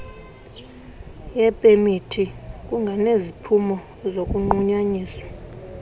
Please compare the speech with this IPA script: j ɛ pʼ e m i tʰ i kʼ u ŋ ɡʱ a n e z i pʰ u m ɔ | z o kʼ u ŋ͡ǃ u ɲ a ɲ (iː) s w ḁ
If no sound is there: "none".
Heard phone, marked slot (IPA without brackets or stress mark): iː